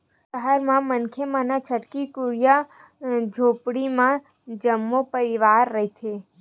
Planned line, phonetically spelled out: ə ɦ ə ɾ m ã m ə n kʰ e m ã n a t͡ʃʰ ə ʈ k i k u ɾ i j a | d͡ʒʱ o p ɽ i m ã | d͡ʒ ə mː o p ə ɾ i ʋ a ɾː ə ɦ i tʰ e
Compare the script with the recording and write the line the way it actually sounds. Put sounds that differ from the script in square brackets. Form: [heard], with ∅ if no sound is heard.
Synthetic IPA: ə ɦ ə ɾ m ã m ə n kʰ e m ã n a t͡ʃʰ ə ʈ k i k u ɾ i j a | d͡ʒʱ o p ɽ i m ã | d͡ʒ ə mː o p ə ɾ i ʋ a ɾː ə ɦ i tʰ e